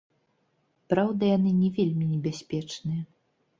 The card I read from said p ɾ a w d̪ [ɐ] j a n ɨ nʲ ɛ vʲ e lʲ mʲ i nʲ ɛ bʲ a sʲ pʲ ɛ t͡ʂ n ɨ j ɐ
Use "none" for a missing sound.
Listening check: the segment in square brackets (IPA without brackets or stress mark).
ɐ